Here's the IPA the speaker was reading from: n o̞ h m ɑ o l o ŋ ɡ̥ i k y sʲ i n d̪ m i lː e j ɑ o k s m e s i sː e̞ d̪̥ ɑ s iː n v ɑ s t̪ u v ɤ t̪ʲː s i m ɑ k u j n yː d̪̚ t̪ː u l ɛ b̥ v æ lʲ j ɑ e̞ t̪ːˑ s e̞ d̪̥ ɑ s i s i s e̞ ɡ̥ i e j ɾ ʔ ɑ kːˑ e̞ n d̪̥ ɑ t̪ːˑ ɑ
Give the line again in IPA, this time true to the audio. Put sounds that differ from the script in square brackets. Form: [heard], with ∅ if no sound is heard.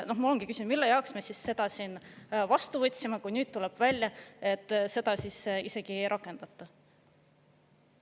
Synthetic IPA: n o̞ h m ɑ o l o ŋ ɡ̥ i k y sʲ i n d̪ m i lː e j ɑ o k s m e s i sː e̞ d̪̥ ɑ s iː n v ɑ s t̪ u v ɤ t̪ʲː s i m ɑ k u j n yː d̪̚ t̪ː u l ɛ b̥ v æ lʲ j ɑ e̞ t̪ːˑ s e̞ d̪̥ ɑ s i s i s e̞ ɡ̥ i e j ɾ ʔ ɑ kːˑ e̞ n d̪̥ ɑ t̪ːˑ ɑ